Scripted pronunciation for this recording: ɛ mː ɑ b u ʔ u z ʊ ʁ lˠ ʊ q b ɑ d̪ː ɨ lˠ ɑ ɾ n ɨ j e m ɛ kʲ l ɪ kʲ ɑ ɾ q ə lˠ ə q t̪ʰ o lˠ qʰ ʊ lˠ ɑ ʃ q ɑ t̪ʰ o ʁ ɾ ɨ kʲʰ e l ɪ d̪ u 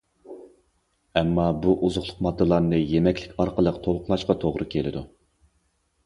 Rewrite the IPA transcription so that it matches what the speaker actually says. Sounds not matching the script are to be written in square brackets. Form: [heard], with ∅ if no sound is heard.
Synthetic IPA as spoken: ɛ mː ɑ b u ʔ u z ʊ [χ] lˠ ʊ q [m] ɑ d̪ː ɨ lˠ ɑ ɾ n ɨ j e m ɛ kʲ l ɪ kʲ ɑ ɾ q ə lˠ ə q t̪ʰ o lˠ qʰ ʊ lˠ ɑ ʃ q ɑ t̪ʰ o ʁ ɾ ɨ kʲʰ e l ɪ d̪ u